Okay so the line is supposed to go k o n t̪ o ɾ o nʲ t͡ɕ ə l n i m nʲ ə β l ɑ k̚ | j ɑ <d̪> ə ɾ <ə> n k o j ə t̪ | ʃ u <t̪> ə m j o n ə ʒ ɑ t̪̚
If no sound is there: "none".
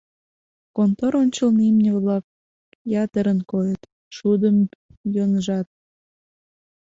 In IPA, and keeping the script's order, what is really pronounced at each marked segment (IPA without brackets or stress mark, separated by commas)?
t̪, ə, d̪